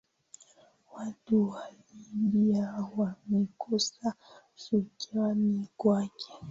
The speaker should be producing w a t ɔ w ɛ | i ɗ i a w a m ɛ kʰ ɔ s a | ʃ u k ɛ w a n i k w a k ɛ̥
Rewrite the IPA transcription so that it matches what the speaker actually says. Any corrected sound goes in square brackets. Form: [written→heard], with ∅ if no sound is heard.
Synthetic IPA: w a t [ɔ→u] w [ɛ→a] | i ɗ i a w a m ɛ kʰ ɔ s a | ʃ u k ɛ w a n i k w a k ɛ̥